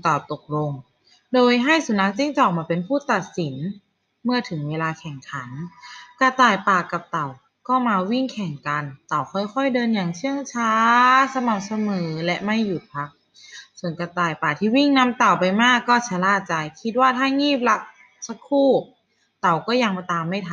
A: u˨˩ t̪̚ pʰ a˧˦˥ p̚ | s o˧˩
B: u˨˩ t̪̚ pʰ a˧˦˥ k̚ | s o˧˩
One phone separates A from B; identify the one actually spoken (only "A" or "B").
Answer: B